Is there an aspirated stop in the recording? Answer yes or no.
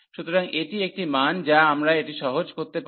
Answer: no